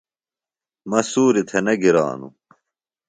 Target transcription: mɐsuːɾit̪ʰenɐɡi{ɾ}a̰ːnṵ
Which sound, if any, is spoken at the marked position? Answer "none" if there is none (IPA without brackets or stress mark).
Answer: ɾ